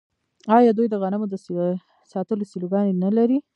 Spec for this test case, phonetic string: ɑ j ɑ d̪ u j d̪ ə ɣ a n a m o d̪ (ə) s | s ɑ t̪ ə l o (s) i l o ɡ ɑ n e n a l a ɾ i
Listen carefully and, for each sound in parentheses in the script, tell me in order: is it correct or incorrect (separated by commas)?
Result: correct, correct